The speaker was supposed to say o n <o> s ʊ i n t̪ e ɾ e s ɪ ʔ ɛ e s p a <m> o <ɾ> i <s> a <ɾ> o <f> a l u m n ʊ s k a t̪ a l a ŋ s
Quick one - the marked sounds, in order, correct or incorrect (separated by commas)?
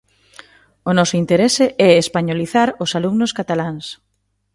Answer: incorrect, incorrect, incorrect, incorrect, correct, incorrect